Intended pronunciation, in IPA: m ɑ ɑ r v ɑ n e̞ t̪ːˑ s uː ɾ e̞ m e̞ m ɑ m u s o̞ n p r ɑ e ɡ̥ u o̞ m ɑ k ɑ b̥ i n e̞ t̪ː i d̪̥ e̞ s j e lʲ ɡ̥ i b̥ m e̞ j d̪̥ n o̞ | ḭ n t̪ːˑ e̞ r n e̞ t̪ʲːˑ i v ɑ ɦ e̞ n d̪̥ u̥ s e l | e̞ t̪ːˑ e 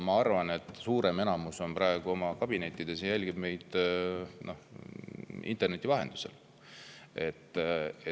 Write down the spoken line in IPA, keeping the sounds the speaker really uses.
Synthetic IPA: m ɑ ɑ r v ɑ n e̞ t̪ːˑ s uː ɾ e̞ m e̞ n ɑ m u s o̞ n p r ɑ e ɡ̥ u o̞ m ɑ k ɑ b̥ i n e̞ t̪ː i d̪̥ e̞ s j æ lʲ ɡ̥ i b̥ m e̞ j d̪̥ n o̞ | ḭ n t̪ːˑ e̞ r n e̞ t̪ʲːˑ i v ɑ ɦ e̞ n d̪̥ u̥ s e l | e̞ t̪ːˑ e

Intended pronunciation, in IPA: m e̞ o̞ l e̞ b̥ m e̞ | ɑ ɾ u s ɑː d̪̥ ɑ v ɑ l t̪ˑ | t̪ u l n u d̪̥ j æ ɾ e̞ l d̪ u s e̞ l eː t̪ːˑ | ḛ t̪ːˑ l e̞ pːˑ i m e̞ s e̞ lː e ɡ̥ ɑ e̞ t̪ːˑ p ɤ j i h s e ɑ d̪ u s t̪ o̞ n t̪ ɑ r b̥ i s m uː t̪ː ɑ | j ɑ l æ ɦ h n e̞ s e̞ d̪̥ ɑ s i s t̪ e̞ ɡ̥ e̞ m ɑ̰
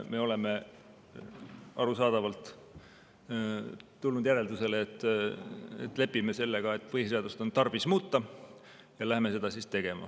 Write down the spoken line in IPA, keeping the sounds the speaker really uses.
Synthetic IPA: m e̞ o̞ l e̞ m e̞ | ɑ ɾ u s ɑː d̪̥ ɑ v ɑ l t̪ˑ | t̪ u l n u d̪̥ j æ ɾ e̞ l d̪ u s e̞ l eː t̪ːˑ | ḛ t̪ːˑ l e̞ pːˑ i m e̞ s e̞ lː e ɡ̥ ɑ e̞ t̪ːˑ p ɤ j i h s e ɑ d̪ u s t̪ o̞ n t̪ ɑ r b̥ i s m uː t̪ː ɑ | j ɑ l æ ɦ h m e̞ s e̞ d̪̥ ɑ s i s t̪ e̞ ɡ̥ e̞ m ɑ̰

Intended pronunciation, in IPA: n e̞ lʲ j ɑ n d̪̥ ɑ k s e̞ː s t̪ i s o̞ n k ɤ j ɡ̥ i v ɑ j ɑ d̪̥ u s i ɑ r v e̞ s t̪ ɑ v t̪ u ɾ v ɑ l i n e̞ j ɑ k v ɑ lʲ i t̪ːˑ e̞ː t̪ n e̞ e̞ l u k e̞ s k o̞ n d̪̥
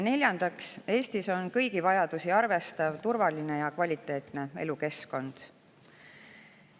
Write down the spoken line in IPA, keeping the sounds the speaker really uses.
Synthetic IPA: n e̞ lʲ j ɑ n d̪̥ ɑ k s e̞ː s t̪ i s o̞ n k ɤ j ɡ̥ i v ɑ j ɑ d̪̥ u s i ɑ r v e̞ s t̪ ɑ v t̪ u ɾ v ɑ l i n e̞ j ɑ k v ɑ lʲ i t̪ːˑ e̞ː t̪ n e̞ e̞ l u k e̞ s k o̞ n d̪̥

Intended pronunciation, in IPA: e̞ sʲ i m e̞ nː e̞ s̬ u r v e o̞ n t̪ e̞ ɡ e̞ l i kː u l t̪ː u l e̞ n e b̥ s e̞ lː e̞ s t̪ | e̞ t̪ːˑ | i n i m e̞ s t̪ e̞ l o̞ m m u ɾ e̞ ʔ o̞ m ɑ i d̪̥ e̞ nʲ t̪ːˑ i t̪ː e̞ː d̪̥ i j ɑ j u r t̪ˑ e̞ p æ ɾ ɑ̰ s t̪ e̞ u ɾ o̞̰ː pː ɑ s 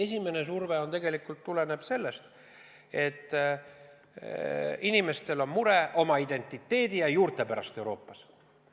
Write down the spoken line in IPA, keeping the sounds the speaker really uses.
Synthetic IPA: e̞ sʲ i m e̞ n e̞ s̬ u r v e o̞ n t̪ e̞ ɡ e̞ l i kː u l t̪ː u l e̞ n e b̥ s e̞ lː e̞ s t̪ | e̞ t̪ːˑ | i n i m e̞ s t̪ e̞ l o̞ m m u ɾ e̞ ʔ o̞ m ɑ i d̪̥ e̞ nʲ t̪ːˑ i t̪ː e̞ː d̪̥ i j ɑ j uː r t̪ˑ e̞ p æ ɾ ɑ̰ s t̪ e̞ u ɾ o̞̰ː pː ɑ s

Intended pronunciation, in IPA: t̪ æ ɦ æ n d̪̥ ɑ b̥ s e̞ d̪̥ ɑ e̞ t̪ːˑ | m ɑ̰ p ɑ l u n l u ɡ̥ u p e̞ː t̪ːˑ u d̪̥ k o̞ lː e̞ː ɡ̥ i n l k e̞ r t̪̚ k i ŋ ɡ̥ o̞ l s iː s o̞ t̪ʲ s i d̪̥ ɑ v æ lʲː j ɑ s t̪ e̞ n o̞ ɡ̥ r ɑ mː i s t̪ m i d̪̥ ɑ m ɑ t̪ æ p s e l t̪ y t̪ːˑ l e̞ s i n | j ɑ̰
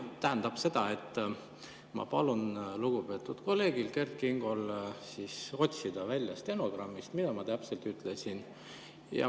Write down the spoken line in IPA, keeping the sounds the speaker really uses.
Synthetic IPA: t̪ æ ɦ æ n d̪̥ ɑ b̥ s e̞ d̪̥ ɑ e̞ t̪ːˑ | m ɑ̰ p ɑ l u n l u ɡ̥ u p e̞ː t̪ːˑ u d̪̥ k o̞ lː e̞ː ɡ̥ i l k e̞ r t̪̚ k i ŋ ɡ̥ o̞ l s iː s o̞ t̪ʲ s i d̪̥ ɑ v æ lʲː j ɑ s t̪ e̞ n o̞ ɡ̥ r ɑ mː i s t̪ m i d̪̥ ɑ m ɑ t̪ æ p s e l t̪ y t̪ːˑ l e̞ s i n | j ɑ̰

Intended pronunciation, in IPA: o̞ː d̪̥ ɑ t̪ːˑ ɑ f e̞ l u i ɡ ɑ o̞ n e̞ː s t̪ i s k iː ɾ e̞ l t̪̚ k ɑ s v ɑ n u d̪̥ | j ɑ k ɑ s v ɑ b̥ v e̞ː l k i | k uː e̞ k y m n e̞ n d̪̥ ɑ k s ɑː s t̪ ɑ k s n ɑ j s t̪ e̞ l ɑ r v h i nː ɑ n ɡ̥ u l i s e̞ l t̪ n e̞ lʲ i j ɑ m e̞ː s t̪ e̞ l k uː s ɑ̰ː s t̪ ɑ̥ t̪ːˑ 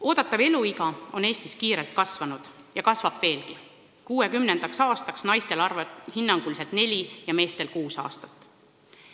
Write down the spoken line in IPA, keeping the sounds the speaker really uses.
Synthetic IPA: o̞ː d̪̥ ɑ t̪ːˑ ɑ v e̞ l u i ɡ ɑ o̞ n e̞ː s t̪ i s k iː ɾ e̞ l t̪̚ k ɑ s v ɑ n u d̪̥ | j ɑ k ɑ s v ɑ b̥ v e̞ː l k i | k uː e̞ k y m n e̞ n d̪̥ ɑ k s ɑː s t̪ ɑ k s n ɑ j s t̪ e̞ l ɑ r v h i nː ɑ ŋ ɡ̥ u l i s e̞ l t̪ n e̞ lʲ i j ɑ m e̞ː s t̪ e̞ l k uː s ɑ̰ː s t̪ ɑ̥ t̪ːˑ

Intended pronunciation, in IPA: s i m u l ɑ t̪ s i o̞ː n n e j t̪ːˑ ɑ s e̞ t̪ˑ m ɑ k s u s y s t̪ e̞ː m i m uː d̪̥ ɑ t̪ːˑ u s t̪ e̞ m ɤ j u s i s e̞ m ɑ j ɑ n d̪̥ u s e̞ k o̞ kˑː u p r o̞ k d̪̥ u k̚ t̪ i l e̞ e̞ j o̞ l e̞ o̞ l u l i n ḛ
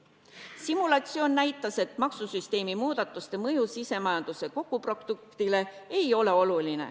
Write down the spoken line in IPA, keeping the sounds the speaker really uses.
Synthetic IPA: s i m u l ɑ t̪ s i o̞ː n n æ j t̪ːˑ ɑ s e̞ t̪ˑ m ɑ k s u s y s t̪ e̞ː m i m uː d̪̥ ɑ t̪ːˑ u s t̪ e̞ m ɤ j u s i s e̞ m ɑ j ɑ n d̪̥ u s e̞ k o̞ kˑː u p r o̞ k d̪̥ u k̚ t̪ i l e̞ e̞ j o̞ l e̞ o̞ l u l i n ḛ

